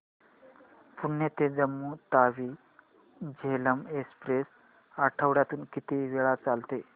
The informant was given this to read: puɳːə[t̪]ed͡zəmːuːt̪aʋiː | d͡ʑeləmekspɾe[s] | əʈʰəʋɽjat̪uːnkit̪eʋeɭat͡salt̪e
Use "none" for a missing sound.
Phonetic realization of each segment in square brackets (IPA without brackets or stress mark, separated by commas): t̪, s